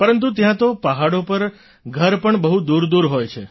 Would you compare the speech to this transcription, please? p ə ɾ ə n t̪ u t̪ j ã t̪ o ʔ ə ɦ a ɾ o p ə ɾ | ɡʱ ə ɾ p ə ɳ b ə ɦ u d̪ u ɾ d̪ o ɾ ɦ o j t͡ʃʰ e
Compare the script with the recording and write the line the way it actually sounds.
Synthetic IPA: p ə ɾ ə n t̪ u t̪ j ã t̪ o p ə ɦ a ɽ o p ə ɾ | ɡʱ ə ɾ p ə ɳ b ə ɦ u d̪ u ɾ d̪ u ɾ ɦ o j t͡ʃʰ e